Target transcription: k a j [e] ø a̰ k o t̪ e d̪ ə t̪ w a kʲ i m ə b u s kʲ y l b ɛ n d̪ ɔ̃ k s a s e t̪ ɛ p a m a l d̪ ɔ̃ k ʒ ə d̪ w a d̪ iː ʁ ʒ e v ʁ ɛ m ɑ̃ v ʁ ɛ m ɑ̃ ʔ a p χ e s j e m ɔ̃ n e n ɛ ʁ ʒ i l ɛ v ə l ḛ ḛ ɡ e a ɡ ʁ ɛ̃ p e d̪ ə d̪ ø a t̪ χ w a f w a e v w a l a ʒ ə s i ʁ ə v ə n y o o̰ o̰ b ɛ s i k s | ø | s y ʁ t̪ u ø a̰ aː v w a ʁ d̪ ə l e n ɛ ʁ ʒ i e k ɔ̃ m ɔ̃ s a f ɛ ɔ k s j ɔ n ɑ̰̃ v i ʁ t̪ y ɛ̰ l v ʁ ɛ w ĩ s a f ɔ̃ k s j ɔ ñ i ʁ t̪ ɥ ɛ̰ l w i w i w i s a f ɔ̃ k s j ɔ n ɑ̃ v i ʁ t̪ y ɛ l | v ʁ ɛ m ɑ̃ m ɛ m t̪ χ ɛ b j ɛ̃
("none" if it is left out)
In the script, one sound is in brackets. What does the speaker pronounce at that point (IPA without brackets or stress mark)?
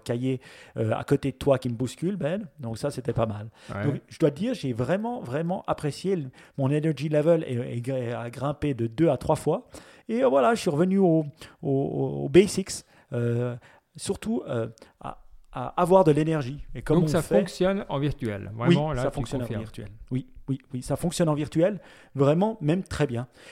e